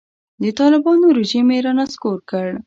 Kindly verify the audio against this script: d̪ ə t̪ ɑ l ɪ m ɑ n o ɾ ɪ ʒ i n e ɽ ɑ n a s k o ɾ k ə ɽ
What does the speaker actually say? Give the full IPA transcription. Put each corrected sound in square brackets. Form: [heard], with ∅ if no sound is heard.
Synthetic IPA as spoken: d̪ ə t̪ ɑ l ɪ [b] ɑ n o ɾ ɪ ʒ i [m] e [ɾ] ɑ n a s k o ɾ k ə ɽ